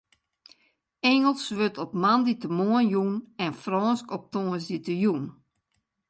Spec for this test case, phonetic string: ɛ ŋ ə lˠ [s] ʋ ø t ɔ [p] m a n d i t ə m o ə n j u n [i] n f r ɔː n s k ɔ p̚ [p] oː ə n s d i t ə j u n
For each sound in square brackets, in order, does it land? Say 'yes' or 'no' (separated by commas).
yes, yes, no, no